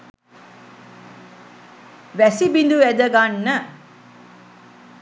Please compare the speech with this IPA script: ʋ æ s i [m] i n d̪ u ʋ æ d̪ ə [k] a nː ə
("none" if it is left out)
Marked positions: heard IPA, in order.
b, ɡ

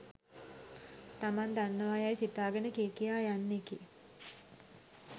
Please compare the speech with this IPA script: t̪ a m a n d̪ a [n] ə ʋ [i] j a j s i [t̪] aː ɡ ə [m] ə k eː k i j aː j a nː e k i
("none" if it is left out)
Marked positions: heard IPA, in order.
nː, a, t̪, n

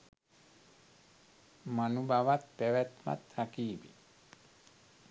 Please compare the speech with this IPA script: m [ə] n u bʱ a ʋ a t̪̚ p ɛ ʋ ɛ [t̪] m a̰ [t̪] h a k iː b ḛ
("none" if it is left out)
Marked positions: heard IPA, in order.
a, t̪, t̪

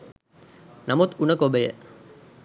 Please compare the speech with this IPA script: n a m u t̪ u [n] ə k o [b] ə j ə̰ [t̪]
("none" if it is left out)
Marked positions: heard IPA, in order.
n, b, none

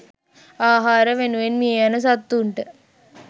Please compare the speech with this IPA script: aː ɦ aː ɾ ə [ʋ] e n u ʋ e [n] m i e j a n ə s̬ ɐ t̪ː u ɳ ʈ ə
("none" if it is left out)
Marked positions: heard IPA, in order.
ʋ, n

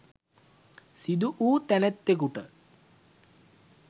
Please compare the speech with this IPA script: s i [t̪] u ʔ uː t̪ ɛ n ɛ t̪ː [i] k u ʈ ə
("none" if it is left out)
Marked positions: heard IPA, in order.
d̪, e

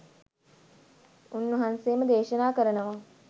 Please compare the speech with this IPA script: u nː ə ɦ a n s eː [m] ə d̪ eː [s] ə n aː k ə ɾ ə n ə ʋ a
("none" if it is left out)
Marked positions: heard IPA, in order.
m, ʃ

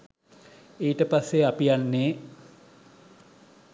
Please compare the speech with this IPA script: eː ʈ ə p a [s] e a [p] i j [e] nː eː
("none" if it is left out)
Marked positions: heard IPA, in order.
sː, p, a

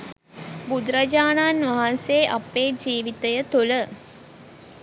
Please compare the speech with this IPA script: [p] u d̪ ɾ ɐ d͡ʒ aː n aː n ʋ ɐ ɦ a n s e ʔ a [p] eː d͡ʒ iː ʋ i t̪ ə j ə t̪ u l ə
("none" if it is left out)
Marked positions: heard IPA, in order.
b, p

